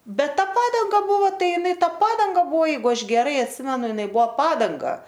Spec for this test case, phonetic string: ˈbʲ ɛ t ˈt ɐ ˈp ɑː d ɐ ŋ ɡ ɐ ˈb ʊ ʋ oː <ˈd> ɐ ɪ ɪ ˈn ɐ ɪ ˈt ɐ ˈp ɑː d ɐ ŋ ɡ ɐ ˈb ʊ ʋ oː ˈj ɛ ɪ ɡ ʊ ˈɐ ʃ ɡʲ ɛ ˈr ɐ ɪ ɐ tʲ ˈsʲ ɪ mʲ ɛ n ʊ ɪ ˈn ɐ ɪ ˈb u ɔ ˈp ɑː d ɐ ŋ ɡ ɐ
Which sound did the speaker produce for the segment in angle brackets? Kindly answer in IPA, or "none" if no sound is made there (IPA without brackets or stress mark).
t